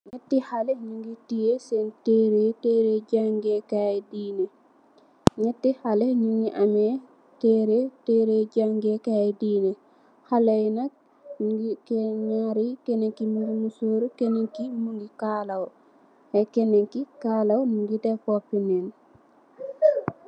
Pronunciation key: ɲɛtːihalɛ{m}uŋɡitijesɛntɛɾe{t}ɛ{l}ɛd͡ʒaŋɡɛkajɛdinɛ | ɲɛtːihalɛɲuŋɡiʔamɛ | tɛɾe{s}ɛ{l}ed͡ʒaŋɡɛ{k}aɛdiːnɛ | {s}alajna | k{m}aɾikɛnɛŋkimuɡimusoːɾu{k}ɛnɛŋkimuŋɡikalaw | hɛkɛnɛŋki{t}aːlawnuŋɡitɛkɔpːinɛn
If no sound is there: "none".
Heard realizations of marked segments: ɲ, t, ɾ, t, ɾ, k, h, ɲ, k, k

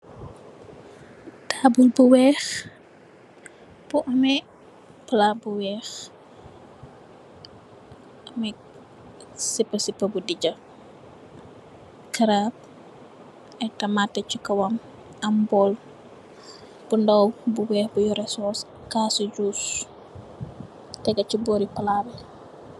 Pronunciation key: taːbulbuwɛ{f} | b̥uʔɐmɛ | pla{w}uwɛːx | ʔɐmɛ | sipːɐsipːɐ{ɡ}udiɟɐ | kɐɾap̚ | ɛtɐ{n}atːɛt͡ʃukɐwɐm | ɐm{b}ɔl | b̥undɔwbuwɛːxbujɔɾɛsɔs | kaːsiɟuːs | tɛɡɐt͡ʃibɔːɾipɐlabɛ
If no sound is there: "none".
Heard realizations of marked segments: x, b, b, m, b

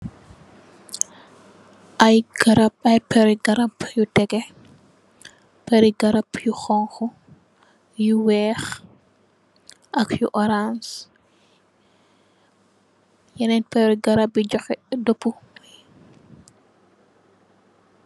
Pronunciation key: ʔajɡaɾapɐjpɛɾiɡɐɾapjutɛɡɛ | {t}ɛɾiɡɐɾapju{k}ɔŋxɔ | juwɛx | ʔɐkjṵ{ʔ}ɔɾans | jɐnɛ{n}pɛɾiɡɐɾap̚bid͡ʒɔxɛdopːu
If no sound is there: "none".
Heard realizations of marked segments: p, x, ʔ, n

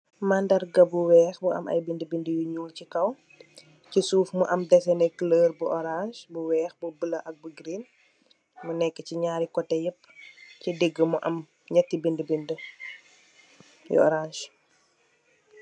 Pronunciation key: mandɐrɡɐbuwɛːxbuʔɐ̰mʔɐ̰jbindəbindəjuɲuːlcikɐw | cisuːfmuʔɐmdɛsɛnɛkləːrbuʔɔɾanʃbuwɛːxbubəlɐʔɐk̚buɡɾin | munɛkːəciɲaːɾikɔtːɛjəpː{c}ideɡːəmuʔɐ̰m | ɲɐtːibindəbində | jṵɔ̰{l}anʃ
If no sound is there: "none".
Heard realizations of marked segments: c, ɾ

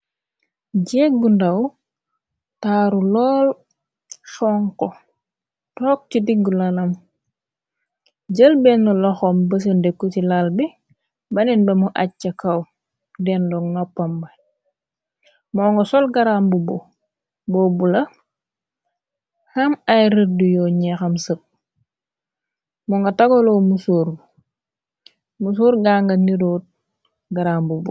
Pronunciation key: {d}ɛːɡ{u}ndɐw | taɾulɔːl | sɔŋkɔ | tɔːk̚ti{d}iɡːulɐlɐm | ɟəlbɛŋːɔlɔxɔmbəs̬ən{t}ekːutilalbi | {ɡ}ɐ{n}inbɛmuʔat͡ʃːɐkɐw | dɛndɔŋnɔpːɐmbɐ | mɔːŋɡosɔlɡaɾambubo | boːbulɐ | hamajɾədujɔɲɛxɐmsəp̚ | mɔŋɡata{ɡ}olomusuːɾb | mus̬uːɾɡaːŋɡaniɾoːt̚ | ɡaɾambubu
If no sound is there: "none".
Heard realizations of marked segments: ɟ, u, d, d, b, n, ɡ

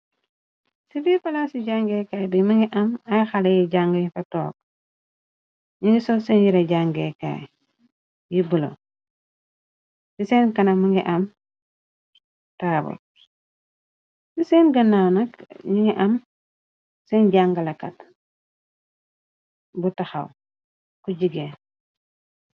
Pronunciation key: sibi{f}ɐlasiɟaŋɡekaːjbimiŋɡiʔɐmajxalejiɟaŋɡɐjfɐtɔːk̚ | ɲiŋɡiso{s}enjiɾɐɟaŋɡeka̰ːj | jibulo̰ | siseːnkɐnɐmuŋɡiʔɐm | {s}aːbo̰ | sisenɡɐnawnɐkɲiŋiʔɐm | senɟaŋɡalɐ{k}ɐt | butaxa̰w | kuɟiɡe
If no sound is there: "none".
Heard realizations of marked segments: f, s, t, k

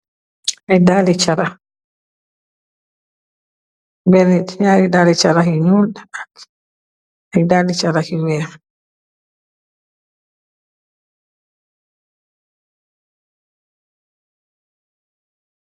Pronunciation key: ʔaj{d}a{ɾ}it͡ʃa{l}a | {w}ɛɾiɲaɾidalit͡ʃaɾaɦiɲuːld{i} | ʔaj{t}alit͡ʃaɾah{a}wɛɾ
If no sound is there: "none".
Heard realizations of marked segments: d, l, ɾ, b, a, d, i

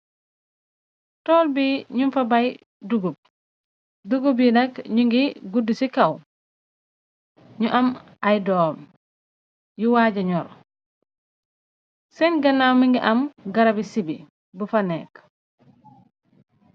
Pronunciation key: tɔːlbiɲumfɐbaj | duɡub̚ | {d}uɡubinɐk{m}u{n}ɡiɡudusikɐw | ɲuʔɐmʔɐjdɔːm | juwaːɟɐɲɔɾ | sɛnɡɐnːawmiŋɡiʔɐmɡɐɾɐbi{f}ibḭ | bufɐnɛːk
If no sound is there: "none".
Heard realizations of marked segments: d, ɲ, ŋ, s

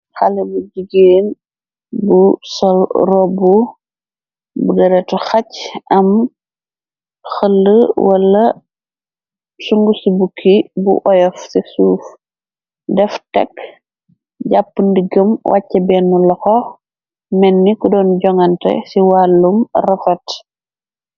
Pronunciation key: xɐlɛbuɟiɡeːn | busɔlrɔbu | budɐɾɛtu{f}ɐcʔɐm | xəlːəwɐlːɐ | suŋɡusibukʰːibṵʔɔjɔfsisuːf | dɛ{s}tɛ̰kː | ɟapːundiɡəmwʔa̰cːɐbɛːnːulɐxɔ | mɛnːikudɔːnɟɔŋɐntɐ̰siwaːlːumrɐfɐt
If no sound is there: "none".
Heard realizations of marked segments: x, f

